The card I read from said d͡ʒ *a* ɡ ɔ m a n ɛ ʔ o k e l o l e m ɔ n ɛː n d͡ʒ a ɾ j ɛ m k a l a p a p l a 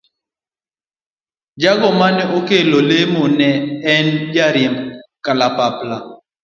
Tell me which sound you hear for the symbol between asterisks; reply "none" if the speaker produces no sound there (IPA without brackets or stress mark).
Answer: a